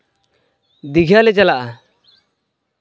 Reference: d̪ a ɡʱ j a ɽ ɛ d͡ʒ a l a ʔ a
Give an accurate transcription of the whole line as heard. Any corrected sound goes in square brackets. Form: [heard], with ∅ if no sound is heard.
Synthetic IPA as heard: d̪ [i] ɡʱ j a [l] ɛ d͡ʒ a l a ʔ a